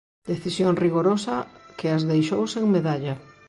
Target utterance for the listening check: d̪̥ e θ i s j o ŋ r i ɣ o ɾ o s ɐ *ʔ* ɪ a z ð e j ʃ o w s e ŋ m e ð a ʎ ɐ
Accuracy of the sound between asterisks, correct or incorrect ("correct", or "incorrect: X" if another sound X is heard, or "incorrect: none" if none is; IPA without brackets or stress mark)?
incorrect: k